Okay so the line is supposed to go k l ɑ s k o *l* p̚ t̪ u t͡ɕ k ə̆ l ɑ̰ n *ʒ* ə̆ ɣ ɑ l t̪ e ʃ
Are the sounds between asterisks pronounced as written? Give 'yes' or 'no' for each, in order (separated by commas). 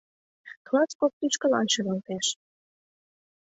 no, no